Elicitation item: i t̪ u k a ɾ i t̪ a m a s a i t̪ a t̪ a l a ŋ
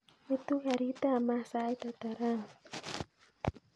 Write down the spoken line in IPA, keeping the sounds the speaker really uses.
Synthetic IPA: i t̪ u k a ɾ i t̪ a m a s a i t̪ a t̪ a ɾ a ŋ